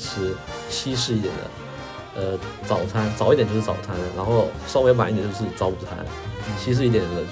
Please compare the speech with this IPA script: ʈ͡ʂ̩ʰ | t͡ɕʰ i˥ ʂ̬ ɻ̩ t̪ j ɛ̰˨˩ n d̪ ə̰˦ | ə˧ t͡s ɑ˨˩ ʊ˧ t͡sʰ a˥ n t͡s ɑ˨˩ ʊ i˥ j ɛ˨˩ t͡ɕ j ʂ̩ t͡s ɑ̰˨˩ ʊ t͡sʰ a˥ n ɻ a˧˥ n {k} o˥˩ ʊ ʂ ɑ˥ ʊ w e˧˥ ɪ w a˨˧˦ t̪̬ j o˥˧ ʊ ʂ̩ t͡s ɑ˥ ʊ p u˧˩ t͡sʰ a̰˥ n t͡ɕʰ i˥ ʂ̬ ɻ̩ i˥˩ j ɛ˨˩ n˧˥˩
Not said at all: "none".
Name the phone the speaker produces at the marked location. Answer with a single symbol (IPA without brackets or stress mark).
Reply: x